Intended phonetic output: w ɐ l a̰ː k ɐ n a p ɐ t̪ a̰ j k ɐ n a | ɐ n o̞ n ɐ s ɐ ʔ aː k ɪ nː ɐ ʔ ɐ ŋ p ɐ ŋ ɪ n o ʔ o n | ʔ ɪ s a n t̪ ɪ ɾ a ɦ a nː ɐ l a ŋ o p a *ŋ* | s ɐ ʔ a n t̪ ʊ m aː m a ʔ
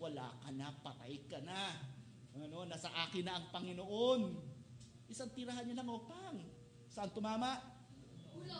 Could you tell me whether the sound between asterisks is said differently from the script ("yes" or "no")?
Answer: no